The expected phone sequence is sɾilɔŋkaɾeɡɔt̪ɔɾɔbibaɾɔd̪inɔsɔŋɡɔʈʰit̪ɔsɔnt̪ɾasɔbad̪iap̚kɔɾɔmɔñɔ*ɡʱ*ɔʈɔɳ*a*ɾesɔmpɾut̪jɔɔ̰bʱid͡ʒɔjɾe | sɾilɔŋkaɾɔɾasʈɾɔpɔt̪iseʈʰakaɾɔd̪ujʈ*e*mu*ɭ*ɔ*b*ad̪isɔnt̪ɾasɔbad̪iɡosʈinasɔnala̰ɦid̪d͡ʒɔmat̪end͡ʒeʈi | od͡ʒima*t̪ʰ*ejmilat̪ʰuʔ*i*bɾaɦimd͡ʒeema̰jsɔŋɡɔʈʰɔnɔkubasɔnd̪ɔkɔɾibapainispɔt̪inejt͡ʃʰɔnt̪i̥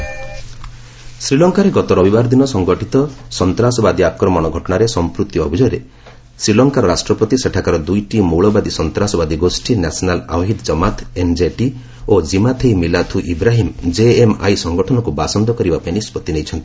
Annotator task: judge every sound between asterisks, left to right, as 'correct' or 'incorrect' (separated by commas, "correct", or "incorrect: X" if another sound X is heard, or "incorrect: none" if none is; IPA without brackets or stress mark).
correct, correct, incorrect: i, correct, correct, correct, correct